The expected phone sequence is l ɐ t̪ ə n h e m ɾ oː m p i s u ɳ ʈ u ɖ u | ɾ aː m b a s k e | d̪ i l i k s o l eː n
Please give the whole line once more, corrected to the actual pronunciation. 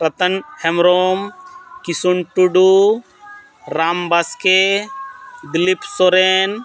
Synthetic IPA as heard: ɾ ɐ t̪ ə n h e m ɾ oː m k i s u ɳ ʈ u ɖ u | ɾ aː m b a s k e | d̪ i l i p s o ɾ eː n